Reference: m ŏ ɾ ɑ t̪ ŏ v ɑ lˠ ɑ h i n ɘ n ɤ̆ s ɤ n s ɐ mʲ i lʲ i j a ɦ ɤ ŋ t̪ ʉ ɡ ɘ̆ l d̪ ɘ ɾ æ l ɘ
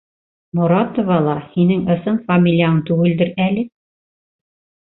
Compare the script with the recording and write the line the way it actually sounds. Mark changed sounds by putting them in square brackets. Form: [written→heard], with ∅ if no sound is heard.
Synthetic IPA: m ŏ ɾ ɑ t̪ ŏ v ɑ lˠ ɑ h i n ɘ [n→ŋ] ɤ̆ s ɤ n [s→f] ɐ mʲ i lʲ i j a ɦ ɤ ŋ t̪ ʉ ɡ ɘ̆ l d̪ ɘ ɾ æ l ɘ